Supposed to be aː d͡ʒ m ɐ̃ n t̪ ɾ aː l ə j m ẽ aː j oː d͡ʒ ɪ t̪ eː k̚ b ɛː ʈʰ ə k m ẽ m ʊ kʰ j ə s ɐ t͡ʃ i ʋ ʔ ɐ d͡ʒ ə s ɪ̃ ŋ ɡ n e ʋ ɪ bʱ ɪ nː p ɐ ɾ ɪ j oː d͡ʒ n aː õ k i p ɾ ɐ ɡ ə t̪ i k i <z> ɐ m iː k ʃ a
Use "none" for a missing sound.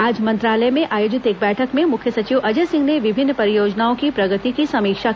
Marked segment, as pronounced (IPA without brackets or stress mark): s